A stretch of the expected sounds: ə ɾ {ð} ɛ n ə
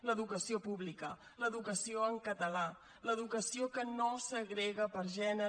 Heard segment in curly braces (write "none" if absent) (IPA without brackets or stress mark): ʒ